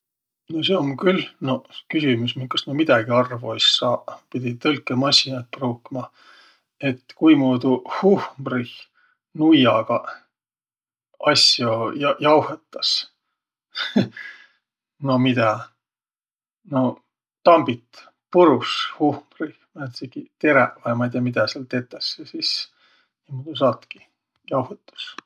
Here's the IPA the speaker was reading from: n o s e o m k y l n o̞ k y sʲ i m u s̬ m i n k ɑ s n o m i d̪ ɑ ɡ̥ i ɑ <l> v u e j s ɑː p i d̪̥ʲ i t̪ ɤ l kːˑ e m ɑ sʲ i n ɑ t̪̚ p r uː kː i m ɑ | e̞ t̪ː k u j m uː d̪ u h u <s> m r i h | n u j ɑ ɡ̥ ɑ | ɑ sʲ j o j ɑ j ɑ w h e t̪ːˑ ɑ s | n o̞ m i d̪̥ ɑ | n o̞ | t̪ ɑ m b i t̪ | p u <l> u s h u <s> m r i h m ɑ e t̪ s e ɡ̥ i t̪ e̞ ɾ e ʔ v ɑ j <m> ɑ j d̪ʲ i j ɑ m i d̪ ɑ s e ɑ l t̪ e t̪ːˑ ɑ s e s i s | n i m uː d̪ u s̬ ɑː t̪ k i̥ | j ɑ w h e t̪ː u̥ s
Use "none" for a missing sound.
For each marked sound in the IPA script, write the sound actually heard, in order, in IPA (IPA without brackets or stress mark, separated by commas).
r, h, ɾ, h, m